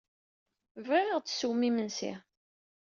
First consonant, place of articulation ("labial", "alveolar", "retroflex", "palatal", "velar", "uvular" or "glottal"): labial